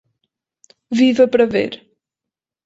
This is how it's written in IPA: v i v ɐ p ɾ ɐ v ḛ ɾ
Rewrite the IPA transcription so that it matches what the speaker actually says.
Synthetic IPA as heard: v i v ɐ p ɾ ɐ v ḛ ɾ